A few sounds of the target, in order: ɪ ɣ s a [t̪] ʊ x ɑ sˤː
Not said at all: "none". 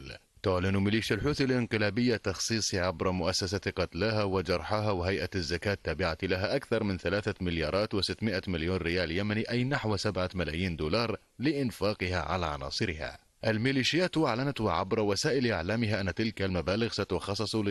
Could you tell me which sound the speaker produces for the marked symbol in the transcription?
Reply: t̪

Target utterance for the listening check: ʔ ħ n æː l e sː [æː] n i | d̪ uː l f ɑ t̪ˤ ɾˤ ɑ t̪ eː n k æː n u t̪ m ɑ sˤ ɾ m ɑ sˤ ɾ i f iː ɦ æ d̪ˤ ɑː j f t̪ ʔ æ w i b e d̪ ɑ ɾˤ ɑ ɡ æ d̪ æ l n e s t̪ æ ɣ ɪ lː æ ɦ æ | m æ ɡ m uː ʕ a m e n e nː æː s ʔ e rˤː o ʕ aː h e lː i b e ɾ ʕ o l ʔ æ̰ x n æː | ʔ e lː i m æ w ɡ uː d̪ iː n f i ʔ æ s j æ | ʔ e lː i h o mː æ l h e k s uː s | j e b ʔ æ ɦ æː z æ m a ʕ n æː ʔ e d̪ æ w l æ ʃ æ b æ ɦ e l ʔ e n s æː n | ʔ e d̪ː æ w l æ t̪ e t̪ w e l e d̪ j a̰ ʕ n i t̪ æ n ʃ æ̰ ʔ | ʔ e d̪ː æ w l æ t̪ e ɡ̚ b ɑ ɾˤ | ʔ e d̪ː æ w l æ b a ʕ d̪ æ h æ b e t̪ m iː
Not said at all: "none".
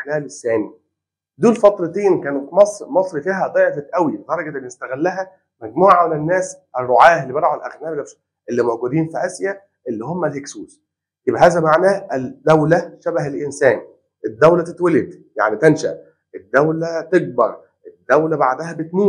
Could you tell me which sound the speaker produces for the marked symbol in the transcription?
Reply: æː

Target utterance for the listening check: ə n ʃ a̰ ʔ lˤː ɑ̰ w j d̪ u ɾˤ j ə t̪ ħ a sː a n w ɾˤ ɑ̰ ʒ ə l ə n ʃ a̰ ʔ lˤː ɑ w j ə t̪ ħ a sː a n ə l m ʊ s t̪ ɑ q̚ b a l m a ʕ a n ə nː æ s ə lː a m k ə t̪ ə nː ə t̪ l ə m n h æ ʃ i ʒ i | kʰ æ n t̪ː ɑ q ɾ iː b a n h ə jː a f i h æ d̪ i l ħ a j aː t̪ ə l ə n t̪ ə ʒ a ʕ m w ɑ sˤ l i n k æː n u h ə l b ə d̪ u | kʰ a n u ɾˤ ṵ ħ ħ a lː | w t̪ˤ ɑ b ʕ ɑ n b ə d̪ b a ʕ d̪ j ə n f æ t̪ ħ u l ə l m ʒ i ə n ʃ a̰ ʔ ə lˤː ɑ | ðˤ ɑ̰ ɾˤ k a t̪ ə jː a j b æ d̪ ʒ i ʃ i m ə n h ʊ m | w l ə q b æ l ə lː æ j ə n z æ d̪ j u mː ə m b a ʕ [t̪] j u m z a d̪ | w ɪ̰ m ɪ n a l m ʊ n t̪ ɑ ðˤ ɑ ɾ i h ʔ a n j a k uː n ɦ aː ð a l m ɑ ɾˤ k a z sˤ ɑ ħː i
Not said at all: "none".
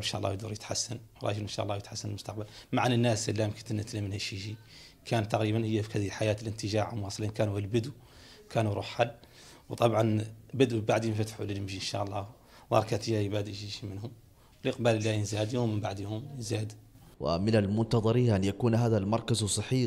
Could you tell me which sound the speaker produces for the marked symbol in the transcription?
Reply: d̪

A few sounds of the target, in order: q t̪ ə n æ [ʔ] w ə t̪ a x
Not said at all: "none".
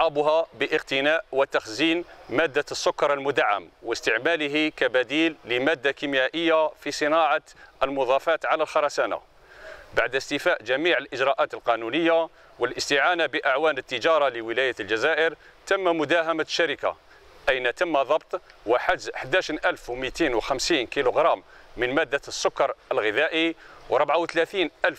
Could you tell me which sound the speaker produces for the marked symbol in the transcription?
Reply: ʔ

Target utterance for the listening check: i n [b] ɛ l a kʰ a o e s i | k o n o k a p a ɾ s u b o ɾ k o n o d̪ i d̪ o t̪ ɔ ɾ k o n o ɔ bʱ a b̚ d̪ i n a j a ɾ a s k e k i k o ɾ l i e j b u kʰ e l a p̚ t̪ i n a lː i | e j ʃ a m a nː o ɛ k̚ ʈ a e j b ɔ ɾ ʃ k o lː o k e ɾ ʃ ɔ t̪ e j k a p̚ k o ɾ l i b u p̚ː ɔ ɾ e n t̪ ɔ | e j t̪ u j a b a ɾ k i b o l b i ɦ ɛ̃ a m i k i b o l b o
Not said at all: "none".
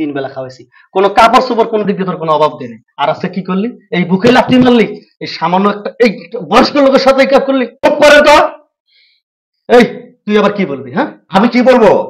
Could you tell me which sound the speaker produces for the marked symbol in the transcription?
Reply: b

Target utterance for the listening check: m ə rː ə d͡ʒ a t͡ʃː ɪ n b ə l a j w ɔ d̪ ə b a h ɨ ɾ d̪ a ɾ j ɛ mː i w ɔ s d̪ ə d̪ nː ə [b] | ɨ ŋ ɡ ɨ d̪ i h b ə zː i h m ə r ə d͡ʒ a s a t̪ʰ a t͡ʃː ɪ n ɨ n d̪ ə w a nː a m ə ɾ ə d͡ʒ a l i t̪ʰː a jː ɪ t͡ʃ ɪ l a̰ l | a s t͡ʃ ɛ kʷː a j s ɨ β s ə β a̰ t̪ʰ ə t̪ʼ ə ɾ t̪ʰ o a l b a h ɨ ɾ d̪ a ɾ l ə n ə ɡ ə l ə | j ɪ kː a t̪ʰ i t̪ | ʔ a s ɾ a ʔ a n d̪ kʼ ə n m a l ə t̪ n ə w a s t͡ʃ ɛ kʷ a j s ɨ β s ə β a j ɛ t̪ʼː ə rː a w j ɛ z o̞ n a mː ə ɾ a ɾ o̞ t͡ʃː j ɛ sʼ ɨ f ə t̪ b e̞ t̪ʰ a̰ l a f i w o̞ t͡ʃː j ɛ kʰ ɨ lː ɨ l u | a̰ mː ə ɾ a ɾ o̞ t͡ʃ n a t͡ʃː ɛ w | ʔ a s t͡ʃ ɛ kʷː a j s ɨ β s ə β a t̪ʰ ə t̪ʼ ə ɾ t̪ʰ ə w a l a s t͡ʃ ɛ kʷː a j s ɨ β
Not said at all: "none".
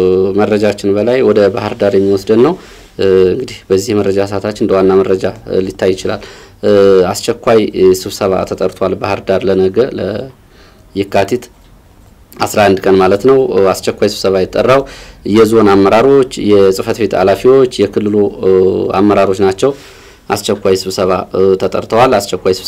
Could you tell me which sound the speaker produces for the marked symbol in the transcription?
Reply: w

